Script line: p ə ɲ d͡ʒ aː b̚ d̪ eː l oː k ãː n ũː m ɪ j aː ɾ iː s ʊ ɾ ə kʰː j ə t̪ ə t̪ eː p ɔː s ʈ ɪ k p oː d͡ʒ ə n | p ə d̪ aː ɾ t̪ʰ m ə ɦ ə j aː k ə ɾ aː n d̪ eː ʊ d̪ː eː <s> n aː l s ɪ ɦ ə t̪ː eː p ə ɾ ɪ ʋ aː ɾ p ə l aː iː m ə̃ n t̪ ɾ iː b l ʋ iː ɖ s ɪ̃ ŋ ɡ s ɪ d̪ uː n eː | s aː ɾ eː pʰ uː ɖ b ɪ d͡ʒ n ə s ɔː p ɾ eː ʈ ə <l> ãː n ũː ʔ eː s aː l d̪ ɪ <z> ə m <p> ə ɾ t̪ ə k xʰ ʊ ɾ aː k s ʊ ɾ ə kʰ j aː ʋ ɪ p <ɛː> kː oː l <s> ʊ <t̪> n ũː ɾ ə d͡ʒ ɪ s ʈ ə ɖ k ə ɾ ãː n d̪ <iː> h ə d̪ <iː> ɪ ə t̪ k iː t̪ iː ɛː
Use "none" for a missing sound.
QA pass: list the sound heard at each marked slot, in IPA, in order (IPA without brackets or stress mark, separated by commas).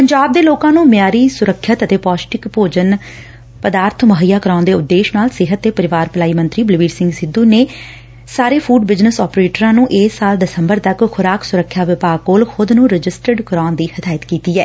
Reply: ʃ, ɾ, s, b, aː, x, d̪, iː, aː